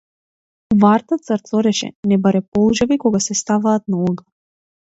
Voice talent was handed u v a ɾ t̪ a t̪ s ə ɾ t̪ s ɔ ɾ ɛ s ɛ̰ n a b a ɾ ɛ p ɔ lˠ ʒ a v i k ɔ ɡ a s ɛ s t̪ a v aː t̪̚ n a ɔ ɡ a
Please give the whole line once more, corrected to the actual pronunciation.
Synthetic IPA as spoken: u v a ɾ t̪ a t̪ s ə ɾ t̪ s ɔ ɾ ɛ ʃ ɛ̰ n ɛ b a ɾ ɛ p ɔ lˠ ʒ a v i k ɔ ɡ a s ɛ s t̪ a v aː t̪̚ n a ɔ ɡ a